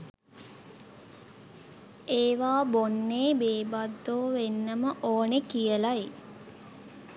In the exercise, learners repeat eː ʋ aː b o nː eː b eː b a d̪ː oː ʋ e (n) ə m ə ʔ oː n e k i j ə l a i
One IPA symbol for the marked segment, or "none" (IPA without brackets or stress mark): nː